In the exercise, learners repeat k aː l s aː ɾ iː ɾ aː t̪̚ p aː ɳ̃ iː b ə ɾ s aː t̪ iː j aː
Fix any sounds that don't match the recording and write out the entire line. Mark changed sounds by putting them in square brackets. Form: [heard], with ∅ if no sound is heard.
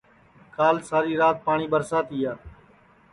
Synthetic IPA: k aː l s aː ɾ iː ɾ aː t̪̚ p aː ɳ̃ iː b ə ɾ s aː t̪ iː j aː